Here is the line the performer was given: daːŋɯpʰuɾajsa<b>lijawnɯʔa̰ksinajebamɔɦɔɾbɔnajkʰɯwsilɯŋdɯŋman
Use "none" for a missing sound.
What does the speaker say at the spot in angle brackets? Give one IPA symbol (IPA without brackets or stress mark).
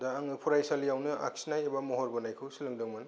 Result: none